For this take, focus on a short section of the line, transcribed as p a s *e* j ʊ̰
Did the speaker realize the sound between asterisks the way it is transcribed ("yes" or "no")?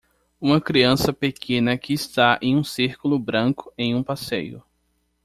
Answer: yes